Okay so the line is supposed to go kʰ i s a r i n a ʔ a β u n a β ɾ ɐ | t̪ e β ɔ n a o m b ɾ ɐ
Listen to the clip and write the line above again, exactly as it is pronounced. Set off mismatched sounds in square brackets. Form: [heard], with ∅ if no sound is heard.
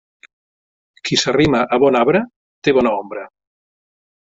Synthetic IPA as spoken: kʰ i s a r i [m] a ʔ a β [ɔ] n a β ɾ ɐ | t̪ e β ɔ n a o m b ɾ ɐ